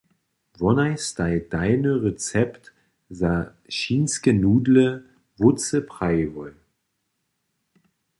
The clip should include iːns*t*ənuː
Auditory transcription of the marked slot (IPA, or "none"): k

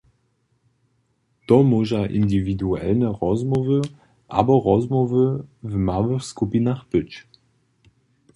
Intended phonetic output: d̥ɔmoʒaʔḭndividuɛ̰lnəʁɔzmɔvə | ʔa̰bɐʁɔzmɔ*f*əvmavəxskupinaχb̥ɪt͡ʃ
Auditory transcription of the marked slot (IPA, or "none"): v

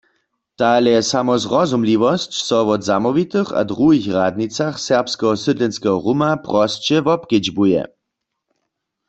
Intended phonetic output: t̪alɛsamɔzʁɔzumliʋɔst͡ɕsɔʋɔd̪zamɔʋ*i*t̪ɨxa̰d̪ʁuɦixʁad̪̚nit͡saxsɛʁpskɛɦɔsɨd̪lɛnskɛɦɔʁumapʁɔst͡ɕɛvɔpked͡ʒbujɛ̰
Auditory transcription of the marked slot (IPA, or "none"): i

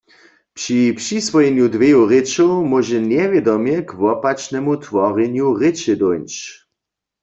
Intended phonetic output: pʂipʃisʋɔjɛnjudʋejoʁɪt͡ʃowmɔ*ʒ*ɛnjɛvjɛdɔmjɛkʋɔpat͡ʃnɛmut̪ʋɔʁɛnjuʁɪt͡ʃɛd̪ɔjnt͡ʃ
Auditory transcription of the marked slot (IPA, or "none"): ʒ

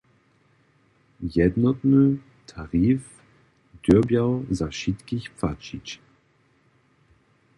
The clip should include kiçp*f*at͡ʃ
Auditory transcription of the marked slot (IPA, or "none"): f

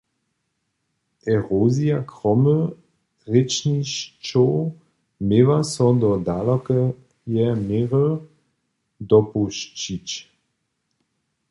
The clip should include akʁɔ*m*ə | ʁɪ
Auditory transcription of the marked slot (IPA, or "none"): m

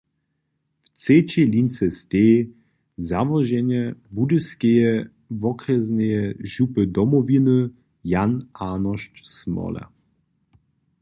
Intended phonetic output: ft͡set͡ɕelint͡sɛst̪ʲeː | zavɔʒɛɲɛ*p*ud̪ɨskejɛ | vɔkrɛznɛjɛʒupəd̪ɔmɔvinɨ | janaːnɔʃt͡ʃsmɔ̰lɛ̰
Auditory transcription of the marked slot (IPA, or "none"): b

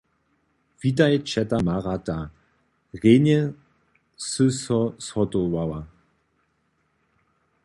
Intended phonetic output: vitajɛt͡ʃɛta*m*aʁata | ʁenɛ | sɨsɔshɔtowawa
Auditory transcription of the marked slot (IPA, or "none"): m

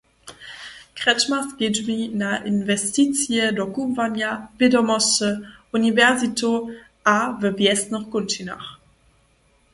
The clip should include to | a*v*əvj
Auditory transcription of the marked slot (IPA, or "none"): v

